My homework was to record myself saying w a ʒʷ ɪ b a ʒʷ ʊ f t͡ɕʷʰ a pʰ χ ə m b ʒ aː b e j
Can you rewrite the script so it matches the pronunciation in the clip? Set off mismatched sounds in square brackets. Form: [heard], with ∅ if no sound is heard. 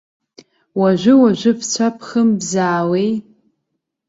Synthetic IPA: w a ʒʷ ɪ [w] a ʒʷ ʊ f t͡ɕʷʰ a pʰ χ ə m b [z] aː [w] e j